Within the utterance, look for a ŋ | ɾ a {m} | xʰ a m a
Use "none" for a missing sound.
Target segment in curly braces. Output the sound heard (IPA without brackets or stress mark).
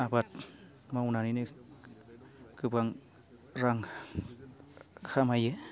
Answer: ŋ